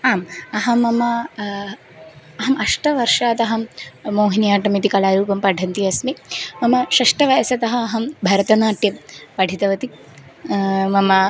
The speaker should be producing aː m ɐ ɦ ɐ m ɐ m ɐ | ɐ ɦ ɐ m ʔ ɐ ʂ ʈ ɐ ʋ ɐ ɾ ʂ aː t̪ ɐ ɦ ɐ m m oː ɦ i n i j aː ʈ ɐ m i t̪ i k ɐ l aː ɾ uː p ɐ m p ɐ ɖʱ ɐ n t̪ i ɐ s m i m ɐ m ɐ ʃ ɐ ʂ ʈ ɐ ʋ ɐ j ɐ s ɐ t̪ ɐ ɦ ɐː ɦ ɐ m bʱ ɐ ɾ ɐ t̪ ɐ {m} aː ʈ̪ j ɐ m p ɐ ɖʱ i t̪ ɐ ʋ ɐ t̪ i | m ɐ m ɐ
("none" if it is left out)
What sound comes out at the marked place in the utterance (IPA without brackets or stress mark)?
n